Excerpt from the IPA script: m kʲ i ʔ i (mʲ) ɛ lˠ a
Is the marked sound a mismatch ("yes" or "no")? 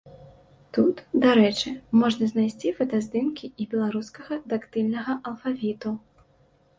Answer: yes